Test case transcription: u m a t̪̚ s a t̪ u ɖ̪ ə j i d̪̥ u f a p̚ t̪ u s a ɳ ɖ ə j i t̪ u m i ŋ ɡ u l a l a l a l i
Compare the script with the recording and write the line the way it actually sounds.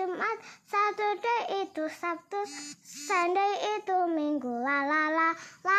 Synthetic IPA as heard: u m a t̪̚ s a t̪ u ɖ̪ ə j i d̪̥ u s a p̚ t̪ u s a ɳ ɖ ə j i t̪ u m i ŋ ɡ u l a l a l a l a